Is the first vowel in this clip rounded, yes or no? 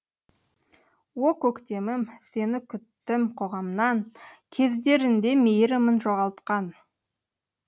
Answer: yes